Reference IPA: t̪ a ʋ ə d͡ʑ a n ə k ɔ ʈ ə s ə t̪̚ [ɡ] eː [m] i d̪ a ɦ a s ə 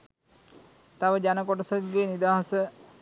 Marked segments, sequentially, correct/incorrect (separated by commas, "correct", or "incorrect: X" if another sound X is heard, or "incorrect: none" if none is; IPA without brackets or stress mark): correct, incorrect: n